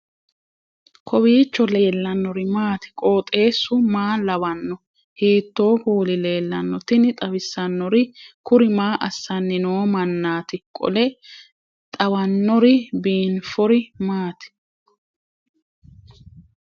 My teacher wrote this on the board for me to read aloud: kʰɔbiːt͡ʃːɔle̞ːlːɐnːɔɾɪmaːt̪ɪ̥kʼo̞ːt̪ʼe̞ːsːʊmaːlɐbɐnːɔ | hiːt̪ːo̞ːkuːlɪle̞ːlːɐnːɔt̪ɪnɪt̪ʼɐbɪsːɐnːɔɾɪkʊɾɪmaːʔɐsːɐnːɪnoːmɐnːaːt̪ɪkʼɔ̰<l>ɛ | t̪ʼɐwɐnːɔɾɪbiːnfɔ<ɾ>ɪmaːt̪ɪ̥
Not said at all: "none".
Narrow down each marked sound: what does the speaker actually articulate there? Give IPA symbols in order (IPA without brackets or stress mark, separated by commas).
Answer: l, ɾ